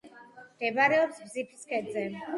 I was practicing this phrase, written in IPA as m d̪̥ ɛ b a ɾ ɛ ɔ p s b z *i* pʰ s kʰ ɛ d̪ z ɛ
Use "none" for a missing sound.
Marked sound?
i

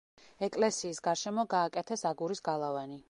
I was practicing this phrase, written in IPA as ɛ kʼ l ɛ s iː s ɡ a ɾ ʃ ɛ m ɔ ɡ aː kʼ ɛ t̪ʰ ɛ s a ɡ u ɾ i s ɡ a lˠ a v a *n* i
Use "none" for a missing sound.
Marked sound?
n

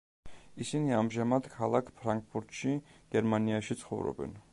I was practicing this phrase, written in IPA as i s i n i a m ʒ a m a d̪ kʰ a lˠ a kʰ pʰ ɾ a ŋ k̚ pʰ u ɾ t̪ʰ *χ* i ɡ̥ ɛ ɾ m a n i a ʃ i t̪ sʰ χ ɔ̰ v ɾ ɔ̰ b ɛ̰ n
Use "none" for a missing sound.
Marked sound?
ʃ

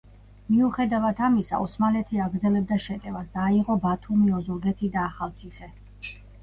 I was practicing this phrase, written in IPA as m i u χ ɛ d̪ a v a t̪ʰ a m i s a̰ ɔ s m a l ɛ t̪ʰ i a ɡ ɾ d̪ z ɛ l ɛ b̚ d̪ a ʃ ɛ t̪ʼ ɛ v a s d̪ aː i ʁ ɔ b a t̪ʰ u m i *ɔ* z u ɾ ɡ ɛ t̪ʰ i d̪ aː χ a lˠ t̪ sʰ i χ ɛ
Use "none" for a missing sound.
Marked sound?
ɔ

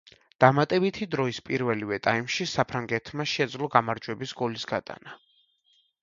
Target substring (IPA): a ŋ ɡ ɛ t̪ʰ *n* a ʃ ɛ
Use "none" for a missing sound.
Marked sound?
m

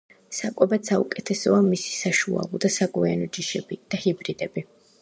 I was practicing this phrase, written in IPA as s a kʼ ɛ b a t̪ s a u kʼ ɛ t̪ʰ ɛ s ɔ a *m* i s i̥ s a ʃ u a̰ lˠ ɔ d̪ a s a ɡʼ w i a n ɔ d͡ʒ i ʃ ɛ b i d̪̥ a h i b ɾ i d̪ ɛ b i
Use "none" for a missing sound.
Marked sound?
m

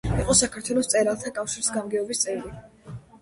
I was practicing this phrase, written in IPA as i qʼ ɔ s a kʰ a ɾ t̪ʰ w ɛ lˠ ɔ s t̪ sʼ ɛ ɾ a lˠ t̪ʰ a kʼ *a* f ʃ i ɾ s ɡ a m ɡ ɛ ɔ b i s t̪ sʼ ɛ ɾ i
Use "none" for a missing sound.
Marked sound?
a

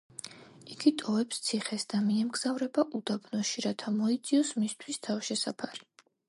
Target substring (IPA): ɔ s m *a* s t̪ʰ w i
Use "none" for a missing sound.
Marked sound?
i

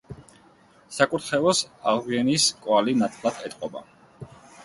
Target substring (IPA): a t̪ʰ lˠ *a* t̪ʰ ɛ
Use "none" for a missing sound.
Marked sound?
a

